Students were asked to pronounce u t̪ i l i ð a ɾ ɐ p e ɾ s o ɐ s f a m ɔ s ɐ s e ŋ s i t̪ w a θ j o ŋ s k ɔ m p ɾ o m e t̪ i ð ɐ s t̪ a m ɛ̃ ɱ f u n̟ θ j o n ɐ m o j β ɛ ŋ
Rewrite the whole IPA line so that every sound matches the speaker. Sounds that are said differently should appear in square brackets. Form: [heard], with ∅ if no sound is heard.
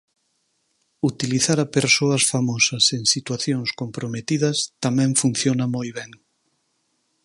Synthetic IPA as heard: u t̪ i l i [θ] a ɾ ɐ p e ɾ s o ɐ s f a m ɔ s ɐ s e ŋ s i t̪ w a θ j o ŋ s k [o] m p ɾ o m e t̪ i ð ɐ s t̪ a m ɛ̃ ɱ f u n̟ θ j o n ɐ m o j β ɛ ŋ